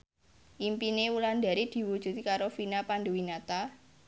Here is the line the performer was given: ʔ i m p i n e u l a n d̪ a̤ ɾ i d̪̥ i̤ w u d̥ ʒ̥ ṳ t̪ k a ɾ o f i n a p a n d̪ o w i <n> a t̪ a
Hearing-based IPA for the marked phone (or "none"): n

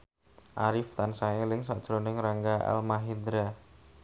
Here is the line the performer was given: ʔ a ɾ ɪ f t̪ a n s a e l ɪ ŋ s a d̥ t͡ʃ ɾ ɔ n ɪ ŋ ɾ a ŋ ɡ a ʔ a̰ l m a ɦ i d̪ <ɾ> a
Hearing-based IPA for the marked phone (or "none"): ɾ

